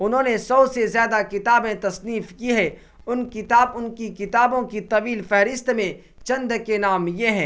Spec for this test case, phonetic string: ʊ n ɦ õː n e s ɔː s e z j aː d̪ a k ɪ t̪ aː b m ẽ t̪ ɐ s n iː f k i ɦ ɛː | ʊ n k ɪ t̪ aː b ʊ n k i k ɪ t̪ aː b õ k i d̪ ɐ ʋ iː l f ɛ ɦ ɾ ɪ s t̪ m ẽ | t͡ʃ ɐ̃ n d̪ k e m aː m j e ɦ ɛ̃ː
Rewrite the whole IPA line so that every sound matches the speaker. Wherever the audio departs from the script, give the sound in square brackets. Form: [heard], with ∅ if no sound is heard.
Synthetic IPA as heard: ʊ n ɦ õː n e s ɔː s e z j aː d̪ a k ɪ t̪ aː b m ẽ t̪ ɐ s n iː f k i ɦ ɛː | ʊ n k ɪ t̪ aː b ʊ n k i k ɪ t̪ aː b õ k i [t̪] ɐ ʋ iː l f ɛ ɦ ɾ ɪ s t̪ m ẽ | t͡ʃ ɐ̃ n d̪ k e [n] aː m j e ɦ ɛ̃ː